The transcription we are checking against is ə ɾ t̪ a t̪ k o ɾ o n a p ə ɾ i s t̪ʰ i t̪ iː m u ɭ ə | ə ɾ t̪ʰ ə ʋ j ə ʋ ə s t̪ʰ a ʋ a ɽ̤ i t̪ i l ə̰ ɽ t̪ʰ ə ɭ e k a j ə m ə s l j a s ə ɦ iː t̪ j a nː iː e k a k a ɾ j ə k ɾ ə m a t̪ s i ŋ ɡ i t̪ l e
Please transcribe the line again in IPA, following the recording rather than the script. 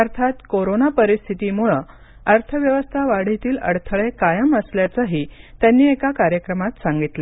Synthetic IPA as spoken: ə ɾ t̪ʰ a t̪ k o ɾ o n a p ə ɾ i s t̪ʰ i t̪ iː m u ɭ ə | ə ɾ t̪ʰ ə ʋ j ə ʋ ə s t̪ʰ a ʋ a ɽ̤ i t̪ iː l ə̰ ɽ t̪ʰ ə ɭ e k a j ə m ə s l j a t͡s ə ɦ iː t̪ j a nː iː e k a k a ɾ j ə k ɾ ə m a t̪ s a ŋ ɡ i t̪ l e